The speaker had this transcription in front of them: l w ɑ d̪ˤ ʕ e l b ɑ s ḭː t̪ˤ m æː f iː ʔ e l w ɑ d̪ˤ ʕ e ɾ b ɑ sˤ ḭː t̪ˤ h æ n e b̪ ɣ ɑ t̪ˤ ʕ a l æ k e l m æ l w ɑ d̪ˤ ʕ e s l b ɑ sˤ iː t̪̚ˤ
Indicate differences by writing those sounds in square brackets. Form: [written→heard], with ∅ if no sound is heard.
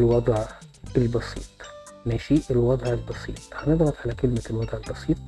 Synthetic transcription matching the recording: l w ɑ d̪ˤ ʕ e l b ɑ s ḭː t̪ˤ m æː [f→ʃ] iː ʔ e l w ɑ d̪ˤ ʕ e [ɾ→l] b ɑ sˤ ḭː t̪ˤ h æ n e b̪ ɣ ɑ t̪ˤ ʕ a l æ k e l m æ l w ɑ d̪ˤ ʕ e [s→∅] l b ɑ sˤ iː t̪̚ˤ